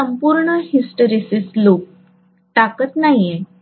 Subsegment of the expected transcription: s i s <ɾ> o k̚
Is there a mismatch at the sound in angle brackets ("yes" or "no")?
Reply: yes